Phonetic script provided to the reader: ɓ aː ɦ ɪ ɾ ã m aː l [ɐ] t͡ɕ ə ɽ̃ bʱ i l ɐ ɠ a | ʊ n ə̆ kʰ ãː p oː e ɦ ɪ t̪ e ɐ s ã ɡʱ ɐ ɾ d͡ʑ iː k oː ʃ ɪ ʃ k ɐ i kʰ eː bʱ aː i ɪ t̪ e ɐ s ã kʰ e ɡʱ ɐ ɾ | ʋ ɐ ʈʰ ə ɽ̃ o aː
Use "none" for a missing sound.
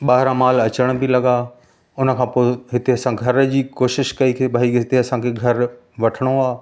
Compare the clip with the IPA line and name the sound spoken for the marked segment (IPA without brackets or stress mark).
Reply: ɐ